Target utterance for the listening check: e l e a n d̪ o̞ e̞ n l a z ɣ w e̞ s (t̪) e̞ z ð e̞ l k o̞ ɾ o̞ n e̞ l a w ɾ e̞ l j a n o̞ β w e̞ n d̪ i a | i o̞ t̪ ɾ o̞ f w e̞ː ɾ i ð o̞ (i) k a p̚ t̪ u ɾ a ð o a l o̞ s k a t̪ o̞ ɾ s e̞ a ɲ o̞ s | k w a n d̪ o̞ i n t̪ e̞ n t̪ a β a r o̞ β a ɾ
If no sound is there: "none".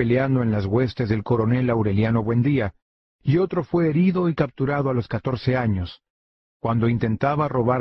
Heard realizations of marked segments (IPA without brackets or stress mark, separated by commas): t̪, i